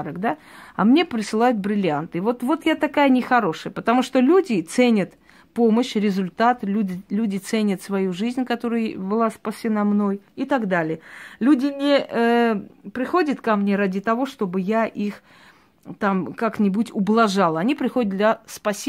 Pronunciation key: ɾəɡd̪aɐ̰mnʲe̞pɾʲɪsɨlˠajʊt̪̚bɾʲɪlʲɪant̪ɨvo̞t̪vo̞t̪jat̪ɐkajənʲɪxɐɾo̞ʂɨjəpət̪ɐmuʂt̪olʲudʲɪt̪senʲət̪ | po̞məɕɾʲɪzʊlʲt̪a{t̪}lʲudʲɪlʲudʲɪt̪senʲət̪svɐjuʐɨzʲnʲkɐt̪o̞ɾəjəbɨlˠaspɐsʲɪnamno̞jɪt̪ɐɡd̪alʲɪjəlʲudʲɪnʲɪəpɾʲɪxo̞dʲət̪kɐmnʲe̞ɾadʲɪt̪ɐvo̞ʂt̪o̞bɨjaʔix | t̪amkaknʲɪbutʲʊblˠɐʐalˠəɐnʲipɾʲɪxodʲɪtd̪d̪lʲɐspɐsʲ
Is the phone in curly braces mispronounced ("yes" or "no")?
no